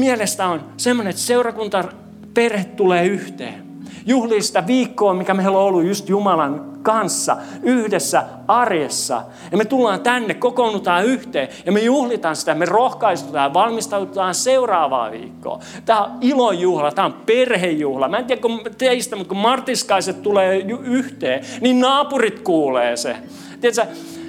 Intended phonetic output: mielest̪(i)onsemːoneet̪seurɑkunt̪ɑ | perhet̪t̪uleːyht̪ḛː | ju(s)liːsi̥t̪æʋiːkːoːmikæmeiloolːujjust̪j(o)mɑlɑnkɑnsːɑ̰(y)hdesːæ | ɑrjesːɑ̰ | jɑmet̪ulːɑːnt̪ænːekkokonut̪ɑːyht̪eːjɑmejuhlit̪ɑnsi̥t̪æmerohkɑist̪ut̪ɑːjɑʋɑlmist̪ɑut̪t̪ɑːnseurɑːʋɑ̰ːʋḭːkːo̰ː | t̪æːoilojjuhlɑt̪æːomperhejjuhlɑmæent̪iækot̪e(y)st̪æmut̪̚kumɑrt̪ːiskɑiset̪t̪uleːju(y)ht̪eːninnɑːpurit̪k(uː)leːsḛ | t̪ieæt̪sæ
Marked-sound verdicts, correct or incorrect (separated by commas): incorrect, incorrect, incorrect, correct, incorrect, correct, correct